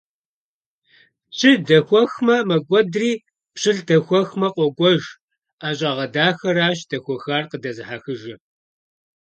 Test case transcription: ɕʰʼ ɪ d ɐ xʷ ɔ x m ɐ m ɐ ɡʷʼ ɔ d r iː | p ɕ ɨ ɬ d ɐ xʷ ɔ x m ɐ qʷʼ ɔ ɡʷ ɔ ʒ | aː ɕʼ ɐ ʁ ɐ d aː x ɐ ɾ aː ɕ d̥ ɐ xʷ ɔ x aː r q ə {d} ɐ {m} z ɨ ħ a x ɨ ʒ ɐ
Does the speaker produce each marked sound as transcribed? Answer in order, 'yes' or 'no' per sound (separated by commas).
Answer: yes, no